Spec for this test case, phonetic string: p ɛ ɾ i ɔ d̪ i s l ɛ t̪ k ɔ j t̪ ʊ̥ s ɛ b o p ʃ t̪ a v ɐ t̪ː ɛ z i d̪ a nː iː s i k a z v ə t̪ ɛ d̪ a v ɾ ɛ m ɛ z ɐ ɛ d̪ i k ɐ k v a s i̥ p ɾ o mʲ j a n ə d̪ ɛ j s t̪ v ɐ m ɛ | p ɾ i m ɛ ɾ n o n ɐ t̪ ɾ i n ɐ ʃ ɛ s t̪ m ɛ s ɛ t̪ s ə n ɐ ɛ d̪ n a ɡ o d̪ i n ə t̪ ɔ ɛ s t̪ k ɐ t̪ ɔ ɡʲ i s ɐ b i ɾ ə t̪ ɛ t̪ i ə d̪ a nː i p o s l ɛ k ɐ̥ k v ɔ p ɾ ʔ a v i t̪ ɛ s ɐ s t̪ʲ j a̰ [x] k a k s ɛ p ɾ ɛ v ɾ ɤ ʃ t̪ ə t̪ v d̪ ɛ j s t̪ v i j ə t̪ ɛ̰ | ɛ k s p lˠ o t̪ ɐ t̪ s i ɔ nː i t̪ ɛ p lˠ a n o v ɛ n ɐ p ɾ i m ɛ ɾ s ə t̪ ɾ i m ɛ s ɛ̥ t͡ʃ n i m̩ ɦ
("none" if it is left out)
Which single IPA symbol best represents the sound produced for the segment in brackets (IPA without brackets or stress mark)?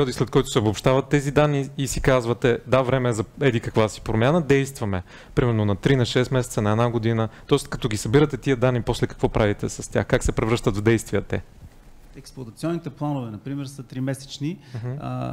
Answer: x